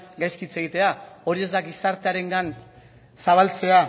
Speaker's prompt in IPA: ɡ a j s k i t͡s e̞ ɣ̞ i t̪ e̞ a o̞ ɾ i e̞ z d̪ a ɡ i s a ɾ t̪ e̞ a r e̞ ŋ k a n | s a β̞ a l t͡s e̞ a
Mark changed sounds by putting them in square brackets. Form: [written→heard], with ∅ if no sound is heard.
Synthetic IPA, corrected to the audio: ɡ a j s k i t͡s e̞ ɣ̞ i t̪ e̞ a o̞ ɾ i e̞ z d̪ a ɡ i s a ɾ t̪ e̞ a [r→ɾ] e̞ ŋ [k→ɡ] a n | s a β̞ a l t͡s e̞ a

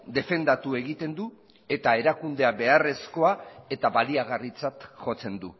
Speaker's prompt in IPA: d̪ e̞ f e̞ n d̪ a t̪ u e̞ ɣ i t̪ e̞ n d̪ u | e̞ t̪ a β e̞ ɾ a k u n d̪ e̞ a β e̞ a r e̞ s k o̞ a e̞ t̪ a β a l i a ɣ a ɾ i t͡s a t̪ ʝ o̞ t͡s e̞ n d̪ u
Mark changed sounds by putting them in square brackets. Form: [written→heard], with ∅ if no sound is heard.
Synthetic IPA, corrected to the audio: d̪ e̞ f e̞ n d̪ a t̪ u e̞ ɣ i t̪ e̞ n d̪ u | e̞ t̪ a [β→∅] e̞ ɾ a k u n d̪ e̞ a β e̞ a r e̞ s k o̞ a e̞ t̪ a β a l i a ɣ a [ɾ→r] i t͡s a t̪ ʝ o̞ t͡s e̞ n d̪ u

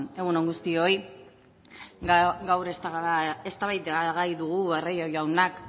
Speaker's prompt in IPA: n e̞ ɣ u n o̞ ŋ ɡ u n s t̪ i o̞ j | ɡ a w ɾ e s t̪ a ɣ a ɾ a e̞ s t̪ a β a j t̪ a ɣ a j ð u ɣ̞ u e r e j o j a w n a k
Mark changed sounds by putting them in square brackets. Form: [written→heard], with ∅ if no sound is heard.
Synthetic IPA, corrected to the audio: n e̞ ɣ u n o̞ ŋ ɡ u [n→∅] s t̪ i o̞ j | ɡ a w ɾ e s t̪ a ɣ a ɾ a e̞ s t̪ a β a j t̪ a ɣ a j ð u ɣ̞ u e r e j o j a w n a k

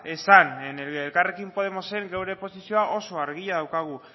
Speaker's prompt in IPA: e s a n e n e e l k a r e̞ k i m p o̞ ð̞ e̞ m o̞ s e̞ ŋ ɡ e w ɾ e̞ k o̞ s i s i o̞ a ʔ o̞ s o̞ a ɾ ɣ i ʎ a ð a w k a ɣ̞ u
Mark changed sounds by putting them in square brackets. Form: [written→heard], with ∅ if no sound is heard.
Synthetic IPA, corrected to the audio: e s a n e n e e l k a r e̞ k i m p o̞ ð̞ e̞ m o̞ s e̞ ŋ ɡ e w ɾ e̞ [k→p] o̞ s i s i o̞ a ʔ o̞ s o̞ a ɾ ɣ i ʎ a ð a w k a ɣ̞ u

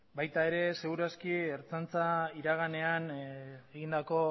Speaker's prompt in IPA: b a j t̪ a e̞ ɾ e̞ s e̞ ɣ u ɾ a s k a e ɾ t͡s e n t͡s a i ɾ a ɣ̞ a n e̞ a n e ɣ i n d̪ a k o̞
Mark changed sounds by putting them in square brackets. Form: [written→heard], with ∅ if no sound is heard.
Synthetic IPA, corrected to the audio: b a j t̪ a e̞ ɾ e̞ s e̞ ɣ u ɾ a s k [a→i] e ɾ t͡s [e→a] n t͡s a i ɾ a ɣ̞ a n e̞ a n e ɣ i n d̪ a k o̞

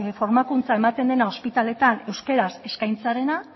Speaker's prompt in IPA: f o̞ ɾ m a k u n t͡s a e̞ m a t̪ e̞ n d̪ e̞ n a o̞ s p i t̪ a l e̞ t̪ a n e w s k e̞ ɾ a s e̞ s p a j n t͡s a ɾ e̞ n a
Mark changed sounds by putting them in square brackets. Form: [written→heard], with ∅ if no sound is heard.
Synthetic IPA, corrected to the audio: f o̞ ɾ m a k u n t͡s a e̞ m a t̪ e̞ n d̪ e̞ n a o̞ s p i t̪ a l e̞ t̪ a n e w s k e̞ ɾ a s e̞ s [p→k] a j n t͡s a ɾ e̞ n a

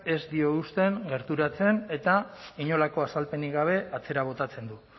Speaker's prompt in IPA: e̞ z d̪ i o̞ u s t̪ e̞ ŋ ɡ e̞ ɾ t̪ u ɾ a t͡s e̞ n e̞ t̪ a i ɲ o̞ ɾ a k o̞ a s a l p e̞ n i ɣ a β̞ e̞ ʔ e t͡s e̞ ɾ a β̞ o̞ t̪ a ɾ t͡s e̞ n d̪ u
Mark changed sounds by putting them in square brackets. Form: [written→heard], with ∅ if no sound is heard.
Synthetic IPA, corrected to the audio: e̞ z d̪ i o̞ u s t̪ e̞ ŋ ɡ e̞ ɾ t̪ u ɾ a t͡s e̞ n e̞ t̪ a i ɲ o̞ [ɾ→l] a k o̞ a s a l p e̞ n i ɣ a β̞ e̞ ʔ [e→a] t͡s e̞ ɾ a β̞ o̞ t̪ a [ɾ→∅] t͡s e̞ n d̪ u

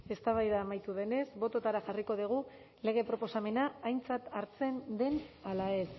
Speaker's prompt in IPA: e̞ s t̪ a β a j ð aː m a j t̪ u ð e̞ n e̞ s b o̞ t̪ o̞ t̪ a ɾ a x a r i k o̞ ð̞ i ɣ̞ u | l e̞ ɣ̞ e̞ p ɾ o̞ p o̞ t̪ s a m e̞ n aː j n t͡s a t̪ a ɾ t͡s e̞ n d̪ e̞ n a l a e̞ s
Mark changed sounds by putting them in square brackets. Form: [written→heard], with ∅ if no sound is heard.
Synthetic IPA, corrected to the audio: e̞ s t̪ a β a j ð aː m a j t̪ u ð e̞ n e̞ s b o̞ t̪ o̞ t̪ a ɾ a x a r i k o̞ ð̞ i ɣ̞ u | l e̞ ɣ̞ e̞ p ɾ o̞ p o̞ [t̪→∅] s a m e̞ n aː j n t͡s a t̪ a ɾ t͡s e̞ n d̪ e̞ n a l a e̞ s

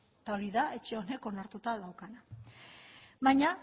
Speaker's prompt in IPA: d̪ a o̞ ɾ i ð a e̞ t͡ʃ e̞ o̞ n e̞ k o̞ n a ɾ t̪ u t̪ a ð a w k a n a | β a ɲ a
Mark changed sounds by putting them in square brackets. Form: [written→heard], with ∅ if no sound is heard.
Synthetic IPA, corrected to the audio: [d̪→t̪] a o̞ ɾ i ð a e̞ t͡ʃ e̞ o̞ n e̞ k o̞ n a ɾ t̪ u t̪ a ð a w k a n a | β a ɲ a

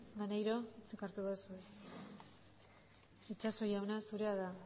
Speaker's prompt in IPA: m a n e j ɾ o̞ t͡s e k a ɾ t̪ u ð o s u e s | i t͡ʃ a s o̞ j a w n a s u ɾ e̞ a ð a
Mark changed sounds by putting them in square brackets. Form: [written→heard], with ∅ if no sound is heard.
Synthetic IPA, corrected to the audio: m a n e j ɾ o̞ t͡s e k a ɾ t̪ u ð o s u e s | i t͡ʃ a s o̞ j a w n a s u ɾ e̞ a ð a

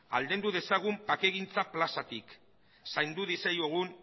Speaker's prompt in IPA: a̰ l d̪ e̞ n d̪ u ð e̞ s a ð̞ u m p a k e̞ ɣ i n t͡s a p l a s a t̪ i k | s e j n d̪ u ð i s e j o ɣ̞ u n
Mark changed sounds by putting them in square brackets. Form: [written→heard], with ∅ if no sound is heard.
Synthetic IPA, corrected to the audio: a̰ l d̪ e̞ n d̪ u ð e̞ s a [ð̞→ɣ̞] u m p a k e̞ ɣ i n t͡s a p l a s a t̪ i k | s [e→a] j n d̪ u ð i s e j o ɣ̞ u n

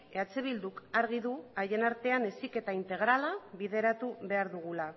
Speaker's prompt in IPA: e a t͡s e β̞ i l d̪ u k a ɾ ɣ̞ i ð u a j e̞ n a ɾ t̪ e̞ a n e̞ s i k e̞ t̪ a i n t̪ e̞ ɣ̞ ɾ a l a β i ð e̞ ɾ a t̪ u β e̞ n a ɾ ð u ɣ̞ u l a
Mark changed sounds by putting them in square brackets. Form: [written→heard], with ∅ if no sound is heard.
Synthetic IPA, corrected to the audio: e a t͡s e β̞ i l d̪ u k a ɾ ɣ̞ i ð u a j e̞ n a ɾ t̪ e̞ a n e̞ s i k e̞ t̪ a i n t̪ e̞ ɣ̞ ɾ a l a β i ð e̞ ɾ a t̪ u β e̞ [n→∅] a ɾ ð u ɣ̞ u l a

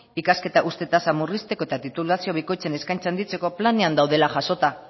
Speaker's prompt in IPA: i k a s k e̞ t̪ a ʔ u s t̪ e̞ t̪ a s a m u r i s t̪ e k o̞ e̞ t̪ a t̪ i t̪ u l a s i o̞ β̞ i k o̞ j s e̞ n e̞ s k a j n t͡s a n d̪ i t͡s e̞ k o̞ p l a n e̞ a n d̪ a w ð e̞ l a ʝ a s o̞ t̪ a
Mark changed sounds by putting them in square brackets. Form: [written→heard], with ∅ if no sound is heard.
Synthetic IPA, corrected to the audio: i k a s k e̞ t̪ a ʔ u s t̪ e̞ t̪ a s a m u r i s t̪ e k o̞ e̞ t̪ a t̪ i t̪ u l a s i o̞ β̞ i k o̞ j [s→t͡s] e̞ n e̞ s k a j n t͡s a n d̪ i t͡s e̞ k o̞ p l a n e̞ a n d̪ a w ð e̞ l a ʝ a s o̞ t̪ a

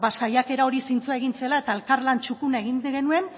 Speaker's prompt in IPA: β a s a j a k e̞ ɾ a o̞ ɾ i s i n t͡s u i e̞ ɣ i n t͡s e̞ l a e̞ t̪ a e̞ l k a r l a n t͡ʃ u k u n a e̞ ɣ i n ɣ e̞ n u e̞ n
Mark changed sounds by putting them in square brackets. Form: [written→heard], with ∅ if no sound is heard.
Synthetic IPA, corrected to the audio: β a s a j a k e̞ ɾ a o̞ ɾ i s i n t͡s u [i→a] e̞ ɣ i n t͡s e̞ l a e̞ t̪ a e̞ l k a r l a n t͡ʃ u k u n a e̞ ɣ i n ɣ e̞ n u e̞ n

